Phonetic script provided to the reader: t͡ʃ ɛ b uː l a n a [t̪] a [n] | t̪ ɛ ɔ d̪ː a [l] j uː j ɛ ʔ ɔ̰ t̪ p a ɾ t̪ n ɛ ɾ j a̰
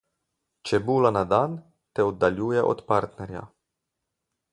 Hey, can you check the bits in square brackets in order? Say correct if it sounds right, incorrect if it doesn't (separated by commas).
incorrect, correct, correct